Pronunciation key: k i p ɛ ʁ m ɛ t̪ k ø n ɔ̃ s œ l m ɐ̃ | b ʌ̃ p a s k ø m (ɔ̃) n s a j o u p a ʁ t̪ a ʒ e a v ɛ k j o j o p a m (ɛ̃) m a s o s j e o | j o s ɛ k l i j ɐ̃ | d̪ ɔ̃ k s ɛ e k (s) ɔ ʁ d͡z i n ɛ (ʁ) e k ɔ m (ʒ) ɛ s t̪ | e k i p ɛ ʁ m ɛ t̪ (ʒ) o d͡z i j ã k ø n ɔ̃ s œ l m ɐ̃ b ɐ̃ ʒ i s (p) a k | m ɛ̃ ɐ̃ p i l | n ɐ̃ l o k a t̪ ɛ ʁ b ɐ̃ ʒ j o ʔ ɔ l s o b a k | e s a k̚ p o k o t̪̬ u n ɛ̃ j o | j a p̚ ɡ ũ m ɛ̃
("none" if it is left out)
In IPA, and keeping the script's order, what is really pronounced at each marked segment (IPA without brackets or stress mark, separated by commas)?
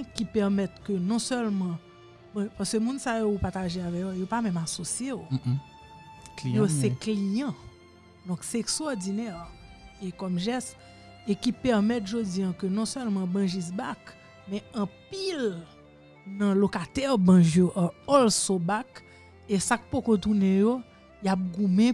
ũ, ɛ̃, s, ʁ, ʒ, ʒ, b